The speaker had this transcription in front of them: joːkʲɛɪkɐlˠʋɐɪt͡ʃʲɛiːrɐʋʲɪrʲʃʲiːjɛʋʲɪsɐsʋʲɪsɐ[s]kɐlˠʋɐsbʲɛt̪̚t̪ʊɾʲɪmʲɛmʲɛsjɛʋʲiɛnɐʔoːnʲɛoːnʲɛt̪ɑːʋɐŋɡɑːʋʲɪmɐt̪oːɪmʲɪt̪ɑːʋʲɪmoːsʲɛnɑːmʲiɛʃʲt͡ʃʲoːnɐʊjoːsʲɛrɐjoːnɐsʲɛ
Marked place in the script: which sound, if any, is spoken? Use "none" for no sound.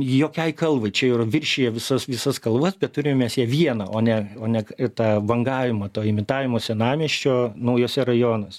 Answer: s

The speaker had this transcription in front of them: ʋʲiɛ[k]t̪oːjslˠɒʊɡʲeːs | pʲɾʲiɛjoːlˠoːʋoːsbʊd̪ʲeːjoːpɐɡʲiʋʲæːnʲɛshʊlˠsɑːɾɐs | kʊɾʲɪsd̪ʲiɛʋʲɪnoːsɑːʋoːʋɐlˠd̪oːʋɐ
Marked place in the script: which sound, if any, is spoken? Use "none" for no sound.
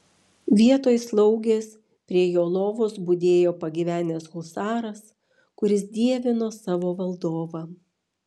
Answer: none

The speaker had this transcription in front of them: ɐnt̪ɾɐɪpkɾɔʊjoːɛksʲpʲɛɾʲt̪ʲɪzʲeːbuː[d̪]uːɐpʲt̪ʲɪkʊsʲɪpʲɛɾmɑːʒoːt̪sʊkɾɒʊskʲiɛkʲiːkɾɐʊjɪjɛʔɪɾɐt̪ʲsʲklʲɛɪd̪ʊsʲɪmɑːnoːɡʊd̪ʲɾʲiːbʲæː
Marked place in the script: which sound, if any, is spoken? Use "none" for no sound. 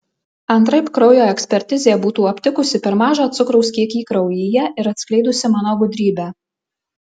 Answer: t̪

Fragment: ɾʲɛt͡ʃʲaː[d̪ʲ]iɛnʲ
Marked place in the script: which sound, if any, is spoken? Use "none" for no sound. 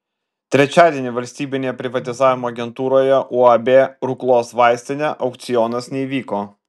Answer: d̪ʲ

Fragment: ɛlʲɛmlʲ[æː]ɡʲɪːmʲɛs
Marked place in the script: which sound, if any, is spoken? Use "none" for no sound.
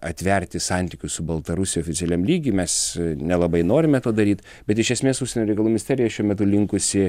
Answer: iː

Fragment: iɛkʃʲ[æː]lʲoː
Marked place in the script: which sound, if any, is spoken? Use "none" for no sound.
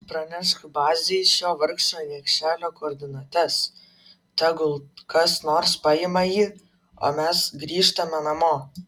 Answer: æː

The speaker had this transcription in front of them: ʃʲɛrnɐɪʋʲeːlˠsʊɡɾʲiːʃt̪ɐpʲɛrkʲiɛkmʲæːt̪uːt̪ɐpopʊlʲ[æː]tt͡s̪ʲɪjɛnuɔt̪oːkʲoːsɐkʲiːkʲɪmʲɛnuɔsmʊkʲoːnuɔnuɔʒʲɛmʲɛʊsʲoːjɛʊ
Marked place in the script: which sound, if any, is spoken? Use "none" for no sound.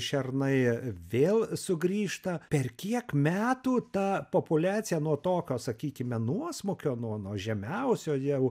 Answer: æː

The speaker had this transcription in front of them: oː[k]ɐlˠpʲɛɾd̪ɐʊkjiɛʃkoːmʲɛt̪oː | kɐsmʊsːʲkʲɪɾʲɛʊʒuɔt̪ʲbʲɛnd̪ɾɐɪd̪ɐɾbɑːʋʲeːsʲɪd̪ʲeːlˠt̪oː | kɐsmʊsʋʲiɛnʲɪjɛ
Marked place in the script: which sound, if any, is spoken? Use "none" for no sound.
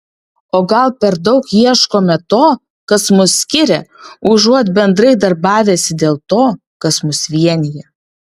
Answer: ɡ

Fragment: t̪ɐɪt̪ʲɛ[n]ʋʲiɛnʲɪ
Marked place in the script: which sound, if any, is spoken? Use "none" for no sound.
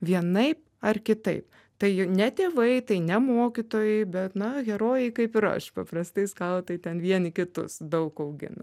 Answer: n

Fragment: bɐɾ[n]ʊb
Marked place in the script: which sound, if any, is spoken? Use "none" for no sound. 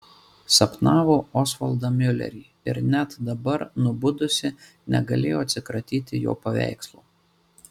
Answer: n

